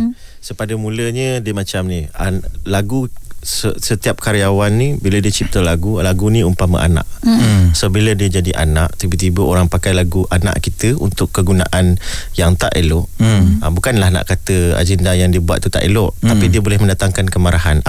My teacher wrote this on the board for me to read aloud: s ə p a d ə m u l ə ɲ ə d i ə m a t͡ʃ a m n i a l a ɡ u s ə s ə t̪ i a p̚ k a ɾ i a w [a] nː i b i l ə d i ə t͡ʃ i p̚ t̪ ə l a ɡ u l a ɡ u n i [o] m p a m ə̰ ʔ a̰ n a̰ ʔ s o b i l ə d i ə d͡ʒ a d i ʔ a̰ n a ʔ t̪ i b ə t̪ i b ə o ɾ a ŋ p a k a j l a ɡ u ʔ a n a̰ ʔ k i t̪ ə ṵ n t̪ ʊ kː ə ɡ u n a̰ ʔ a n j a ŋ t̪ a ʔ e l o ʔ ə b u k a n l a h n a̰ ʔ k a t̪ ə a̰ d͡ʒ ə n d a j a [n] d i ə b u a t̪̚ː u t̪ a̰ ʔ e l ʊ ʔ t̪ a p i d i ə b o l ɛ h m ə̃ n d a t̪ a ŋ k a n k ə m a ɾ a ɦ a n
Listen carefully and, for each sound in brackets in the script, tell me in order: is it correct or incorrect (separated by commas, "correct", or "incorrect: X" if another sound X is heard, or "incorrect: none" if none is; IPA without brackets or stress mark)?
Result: correct, incorrect: u, incorrect: ŋ